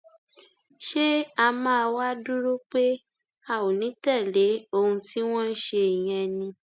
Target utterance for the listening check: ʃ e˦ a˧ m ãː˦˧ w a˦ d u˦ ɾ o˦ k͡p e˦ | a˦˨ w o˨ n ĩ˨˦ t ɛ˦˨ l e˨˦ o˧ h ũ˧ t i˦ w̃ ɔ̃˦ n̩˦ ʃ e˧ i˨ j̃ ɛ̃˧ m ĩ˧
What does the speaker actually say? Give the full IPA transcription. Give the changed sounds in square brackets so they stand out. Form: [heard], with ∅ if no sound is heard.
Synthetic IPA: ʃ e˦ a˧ m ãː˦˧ w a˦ d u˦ ɾ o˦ k͡p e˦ | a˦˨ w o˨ n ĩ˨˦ t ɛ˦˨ l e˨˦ o˧ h ũ˧ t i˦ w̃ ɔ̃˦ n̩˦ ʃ e˧ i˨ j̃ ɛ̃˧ [n] ĩ˧